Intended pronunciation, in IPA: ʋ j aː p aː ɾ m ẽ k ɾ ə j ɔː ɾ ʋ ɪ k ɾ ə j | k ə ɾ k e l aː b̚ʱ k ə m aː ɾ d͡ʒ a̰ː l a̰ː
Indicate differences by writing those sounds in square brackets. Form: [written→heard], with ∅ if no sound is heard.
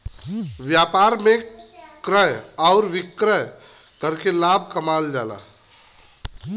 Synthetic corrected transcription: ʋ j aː p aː ɾ m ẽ k ɾ ə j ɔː ɾ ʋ ɪ k ɾ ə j | k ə ɾ k e l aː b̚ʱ k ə m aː [ɾ→l] d͡ʒ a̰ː l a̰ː